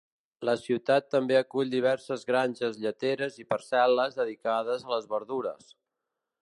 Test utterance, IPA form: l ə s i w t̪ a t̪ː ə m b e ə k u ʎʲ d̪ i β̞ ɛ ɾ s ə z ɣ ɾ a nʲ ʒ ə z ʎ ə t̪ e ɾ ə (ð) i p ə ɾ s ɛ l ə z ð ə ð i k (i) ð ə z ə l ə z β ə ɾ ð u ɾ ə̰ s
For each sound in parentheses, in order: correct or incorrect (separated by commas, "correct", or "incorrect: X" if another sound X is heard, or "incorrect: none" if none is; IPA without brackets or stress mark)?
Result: incorrect: z, incorrect: a